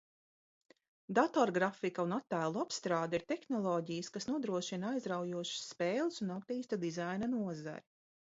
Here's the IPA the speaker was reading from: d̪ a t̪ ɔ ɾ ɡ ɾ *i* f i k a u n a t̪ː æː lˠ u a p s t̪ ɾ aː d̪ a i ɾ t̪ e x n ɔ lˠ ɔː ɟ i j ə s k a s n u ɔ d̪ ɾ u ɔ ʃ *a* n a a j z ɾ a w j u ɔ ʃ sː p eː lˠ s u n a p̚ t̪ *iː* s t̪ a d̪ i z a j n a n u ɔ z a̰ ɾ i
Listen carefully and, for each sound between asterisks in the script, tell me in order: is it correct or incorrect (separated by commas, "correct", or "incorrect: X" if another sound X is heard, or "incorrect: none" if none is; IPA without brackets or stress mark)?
incorrect: a, incorrect: i, correct